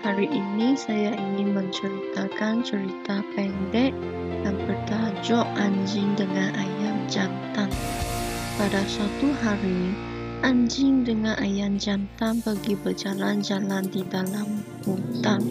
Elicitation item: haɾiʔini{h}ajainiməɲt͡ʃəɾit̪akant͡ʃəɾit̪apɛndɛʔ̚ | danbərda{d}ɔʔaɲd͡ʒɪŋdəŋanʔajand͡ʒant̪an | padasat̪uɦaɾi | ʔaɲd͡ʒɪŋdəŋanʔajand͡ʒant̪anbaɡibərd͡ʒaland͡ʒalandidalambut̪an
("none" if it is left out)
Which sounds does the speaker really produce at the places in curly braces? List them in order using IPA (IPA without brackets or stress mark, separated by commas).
s, d͡ʒ